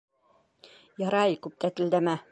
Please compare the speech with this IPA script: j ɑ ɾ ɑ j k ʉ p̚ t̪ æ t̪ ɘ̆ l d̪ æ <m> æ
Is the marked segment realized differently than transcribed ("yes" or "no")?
no